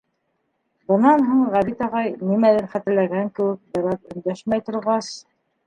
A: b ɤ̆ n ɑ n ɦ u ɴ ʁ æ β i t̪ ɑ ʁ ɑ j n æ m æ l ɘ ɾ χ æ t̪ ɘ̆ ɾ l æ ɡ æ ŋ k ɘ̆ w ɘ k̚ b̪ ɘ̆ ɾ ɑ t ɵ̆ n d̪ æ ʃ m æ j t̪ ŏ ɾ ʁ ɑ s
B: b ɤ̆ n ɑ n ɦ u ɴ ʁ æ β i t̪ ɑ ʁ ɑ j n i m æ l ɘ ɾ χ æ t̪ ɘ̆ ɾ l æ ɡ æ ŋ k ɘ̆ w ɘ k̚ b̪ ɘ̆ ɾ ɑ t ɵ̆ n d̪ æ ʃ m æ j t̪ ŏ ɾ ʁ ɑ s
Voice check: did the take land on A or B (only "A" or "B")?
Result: B